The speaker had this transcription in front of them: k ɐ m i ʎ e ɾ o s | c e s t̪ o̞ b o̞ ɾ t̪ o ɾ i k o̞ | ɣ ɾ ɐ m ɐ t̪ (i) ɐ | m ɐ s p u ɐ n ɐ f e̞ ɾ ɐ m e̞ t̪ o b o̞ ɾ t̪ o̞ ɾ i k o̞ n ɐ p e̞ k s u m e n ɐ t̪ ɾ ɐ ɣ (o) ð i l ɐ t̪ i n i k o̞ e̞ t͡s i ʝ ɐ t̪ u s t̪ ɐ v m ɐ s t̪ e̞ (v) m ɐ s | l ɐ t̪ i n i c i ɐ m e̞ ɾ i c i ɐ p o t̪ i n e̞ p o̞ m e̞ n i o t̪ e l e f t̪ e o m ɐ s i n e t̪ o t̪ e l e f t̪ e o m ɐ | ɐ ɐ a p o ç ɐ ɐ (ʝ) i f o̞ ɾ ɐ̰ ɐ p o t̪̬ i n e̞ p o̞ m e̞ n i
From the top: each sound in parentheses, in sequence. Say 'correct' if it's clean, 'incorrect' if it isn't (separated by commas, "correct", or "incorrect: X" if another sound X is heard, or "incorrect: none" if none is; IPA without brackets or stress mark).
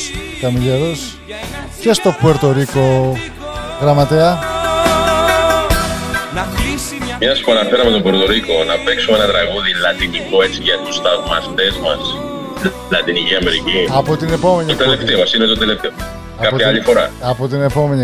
incorrect: e, incorrect: u, incorrect: z, incorrect: ʎ